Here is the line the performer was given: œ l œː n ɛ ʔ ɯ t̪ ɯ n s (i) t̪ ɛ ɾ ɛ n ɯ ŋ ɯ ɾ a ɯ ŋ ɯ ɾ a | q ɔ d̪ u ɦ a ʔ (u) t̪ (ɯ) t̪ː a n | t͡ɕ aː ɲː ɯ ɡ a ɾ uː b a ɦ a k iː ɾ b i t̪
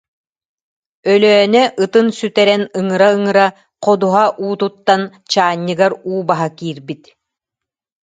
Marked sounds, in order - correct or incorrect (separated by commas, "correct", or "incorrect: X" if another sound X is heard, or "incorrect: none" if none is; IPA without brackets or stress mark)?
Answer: incorrect: y, incorrect: uː, incorrect: u